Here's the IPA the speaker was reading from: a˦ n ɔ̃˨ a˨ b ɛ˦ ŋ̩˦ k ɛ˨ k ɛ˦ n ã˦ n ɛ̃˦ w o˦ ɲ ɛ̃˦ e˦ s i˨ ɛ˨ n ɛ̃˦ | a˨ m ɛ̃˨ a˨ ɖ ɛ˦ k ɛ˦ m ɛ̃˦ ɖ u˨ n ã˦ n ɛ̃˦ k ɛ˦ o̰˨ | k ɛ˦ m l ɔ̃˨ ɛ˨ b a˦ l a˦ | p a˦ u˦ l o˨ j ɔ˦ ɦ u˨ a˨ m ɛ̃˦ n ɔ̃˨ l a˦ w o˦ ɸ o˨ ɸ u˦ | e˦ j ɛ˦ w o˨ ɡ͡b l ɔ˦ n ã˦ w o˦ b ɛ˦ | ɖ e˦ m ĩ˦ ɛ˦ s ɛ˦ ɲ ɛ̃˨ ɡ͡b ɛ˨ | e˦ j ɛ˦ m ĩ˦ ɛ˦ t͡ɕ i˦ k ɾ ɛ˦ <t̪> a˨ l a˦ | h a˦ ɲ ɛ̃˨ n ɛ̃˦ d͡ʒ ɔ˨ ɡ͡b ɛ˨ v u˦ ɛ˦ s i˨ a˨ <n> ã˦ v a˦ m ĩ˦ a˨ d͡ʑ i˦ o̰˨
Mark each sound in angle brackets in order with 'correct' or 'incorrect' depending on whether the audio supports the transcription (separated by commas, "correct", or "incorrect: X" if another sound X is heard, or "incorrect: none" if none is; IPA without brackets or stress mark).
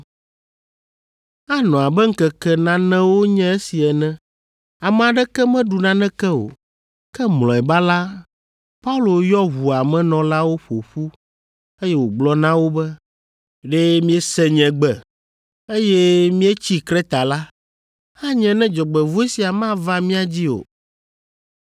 correct, incorrect: m